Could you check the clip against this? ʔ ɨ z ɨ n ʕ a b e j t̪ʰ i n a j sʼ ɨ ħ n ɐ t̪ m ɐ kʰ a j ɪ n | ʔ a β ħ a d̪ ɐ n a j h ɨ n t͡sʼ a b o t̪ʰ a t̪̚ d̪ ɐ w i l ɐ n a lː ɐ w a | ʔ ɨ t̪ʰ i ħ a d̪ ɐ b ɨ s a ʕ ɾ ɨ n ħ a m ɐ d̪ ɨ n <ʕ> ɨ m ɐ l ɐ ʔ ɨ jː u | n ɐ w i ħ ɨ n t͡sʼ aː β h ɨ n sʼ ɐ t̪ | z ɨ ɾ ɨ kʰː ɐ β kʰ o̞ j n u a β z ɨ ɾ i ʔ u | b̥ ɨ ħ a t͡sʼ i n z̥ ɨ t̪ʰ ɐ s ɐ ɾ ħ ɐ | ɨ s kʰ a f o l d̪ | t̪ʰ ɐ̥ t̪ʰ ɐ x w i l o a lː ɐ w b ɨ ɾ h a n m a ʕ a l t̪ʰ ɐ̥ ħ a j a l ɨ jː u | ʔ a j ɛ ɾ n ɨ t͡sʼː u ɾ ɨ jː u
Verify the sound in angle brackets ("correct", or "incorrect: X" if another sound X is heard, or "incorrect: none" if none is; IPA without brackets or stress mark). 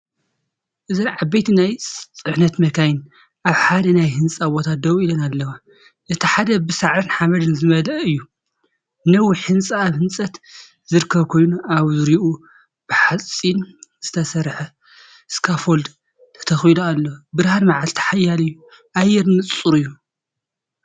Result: incorrect: z